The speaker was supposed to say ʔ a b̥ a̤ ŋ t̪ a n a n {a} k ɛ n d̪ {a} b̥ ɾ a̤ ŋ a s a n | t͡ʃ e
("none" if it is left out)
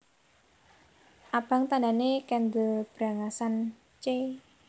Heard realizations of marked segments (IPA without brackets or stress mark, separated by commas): e, ə